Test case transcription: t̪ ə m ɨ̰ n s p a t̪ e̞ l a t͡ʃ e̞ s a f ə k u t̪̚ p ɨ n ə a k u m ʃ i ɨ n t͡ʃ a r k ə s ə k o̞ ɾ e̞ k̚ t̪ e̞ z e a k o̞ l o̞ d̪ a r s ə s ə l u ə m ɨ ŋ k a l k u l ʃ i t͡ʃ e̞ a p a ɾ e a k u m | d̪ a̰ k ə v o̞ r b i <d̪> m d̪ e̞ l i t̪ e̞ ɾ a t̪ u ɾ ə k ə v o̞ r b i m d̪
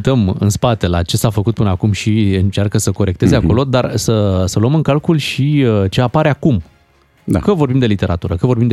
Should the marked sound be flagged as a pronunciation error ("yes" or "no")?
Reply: yes